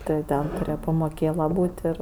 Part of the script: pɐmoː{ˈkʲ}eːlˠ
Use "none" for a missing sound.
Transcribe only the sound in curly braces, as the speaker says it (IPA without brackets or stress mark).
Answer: kʲ